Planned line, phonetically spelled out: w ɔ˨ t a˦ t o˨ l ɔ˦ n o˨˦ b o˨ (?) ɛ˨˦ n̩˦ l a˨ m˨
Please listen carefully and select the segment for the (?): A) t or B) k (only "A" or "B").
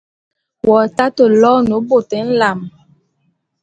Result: A